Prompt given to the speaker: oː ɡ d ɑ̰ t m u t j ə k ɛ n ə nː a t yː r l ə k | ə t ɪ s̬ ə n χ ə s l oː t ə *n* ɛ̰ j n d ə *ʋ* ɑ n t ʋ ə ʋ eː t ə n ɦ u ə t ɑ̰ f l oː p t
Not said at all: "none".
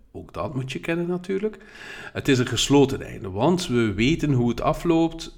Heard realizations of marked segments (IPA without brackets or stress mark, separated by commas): n, ʋ